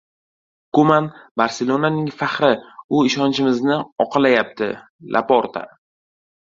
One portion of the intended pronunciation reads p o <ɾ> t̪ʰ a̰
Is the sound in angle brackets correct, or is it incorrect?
correct